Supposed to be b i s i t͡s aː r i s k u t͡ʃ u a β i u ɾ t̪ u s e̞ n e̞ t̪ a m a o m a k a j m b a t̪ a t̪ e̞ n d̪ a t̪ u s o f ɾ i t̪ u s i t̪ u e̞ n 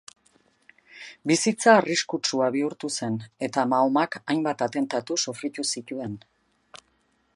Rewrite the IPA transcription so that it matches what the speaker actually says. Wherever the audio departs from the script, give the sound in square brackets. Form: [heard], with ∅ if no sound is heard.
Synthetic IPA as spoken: b i s i t͡s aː r i s k u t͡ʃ u a β i u ɾ t̪ u s e̞ n e̞ t̪ a m a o m a k a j m b a t̪ a t̪ e̞ n [t̪] a t̪ u s o f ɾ i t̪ u s i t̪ u e̞ n